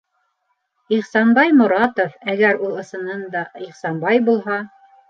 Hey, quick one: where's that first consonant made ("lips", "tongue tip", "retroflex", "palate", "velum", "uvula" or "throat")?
uvula